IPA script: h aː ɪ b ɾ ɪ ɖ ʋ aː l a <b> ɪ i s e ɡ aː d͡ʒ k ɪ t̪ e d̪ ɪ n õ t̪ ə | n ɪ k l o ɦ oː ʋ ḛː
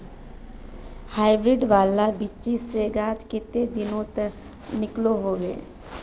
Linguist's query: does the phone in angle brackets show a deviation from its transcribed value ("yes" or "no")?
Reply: no